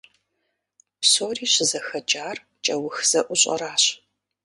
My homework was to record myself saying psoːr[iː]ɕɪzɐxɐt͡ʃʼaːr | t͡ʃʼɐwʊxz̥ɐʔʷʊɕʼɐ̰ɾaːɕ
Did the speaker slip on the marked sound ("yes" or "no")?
no